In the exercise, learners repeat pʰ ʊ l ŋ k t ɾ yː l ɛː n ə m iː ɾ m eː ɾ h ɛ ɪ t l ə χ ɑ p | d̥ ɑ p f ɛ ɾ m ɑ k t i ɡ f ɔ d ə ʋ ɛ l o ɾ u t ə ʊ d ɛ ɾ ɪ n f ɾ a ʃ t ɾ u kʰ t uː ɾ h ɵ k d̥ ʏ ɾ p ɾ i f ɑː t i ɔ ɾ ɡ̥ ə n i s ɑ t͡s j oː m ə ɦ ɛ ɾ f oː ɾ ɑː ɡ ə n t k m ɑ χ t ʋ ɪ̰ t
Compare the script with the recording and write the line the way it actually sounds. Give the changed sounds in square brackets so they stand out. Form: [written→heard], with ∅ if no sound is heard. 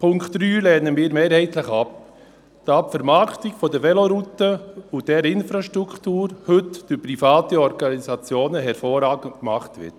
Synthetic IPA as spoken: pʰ ʊ [l→∅] ŋ k t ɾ yː l ɛː n ə m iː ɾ m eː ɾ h ɛ ɪ t l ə χ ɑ p | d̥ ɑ p f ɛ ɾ m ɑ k t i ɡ f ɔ d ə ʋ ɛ l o ɾ u t ə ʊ d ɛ ɾ ɪ n f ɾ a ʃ t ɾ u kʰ t uː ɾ h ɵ [k→t] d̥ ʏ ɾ p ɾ i f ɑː t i ɔ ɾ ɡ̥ [ə→ɑ] n i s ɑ t͡s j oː [m→n] ə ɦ ɛ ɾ f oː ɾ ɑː ɡ ə n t k m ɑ χ t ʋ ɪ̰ t

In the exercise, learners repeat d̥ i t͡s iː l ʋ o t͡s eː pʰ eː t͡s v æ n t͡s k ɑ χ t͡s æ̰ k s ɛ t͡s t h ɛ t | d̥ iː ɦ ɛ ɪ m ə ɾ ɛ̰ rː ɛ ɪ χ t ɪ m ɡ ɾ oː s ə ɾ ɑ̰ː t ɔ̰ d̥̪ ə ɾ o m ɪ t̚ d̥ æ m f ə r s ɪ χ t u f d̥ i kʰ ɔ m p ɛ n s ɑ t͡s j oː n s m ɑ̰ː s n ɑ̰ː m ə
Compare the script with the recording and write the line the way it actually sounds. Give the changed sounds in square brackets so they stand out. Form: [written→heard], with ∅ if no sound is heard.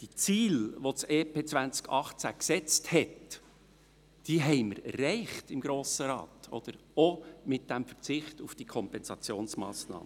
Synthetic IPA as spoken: d̥ i t͡s iː l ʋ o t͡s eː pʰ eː t͡s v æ n t͡s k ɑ χ t͡s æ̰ k s ɛ t͡s t h ɛ t | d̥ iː ɦ ɛ ɪ m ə ɾ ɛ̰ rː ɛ ɪ χ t ɪ m ɡ ɾ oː s ə ɾ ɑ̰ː t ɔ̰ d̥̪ ə ɾ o m ɪ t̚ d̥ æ m f ə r [s→t͡s] ɪ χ t u f d̥ i kʰ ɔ m p ɛ n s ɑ t͡s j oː n s m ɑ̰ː s n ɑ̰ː m ə

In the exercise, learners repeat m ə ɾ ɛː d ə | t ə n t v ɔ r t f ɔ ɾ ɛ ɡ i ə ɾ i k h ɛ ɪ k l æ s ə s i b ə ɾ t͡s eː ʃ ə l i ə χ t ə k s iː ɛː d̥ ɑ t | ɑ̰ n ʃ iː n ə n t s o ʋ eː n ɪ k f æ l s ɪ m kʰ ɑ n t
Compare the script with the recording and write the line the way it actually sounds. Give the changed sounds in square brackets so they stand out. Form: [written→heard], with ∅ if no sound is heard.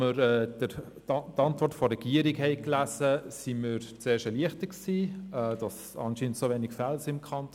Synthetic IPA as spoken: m ə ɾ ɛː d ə | t [ə→ɑ] n t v ɔ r t f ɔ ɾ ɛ ɡ i ə ɾ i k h ɛ ɪ k l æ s ə s i [b→m] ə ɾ t͡s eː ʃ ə l i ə χ t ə k s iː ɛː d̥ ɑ [t→s] | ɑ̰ n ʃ iː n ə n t s o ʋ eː n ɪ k f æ l s ɪ m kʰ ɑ n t

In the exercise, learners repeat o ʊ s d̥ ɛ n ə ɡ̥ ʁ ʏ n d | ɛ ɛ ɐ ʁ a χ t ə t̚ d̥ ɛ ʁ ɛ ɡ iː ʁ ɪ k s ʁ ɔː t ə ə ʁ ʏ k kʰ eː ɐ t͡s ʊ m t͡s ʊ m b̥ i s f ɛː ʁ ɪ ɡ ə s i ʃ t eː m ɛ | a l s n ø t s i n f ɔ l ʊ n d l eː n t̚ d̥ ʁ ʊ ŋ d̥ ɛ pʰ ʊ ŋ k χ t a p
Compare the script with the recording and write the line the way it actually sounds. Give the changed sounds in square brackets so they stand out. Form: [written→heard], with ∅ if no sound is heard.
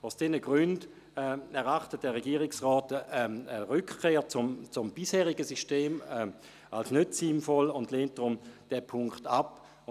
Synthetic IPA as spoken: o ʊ s d̥ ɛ n ə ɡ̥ ʁ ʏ n d | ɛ ɛ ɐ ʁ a χ t ə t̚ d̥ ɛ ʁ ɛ ɡ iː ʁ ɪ k s ʁ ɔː t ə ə ʁ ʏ k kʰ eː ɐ t͡s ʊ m t͡s ʊ m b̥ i s [f→h] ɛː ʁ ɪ ɡ ə s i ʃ t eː m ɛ | a l s n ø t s i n f ɔ l ʊ n d l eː n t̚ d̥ ʁ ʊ [ŋ→m] d̥ ɛ pʰ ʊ ŋ k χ t a p

